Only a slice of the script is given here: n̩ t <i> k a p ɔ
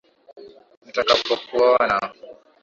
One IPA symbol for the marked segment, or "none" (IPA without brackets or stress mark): a